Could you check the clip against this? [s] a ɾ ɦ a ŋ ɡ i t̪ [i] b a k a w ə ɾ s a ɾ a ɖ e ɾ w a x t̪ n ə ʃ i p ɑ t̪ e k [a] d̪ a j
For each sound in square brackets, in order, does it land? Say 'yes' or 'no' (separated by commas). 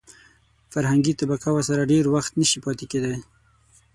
no, no, no